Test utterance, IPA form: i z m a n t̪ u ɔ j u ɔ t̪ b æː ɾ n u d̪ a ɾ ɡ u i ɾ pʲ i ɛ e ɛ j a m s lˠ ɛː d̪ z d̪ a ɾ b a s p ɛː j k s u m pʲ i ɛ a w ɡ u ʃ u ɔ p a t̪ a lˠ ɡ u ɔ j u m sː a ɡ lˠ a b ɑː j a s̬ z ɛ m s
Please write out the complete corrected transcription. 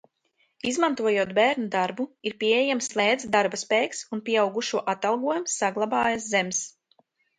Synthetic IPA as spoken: i z m a n t̪ u ɔ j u ɔ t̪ b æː ɾ n u d̪ a ɾ b u i ɾ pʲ i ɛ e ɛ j a m s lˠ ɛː d̪ z d̪ a ɾ b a s p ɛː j k s u n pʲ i ɛ a w ɡ u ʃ u ɔ ʔ a t̪ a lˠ ɡ u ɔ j u m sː a ɡ lˠ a b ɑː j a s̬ z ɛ m s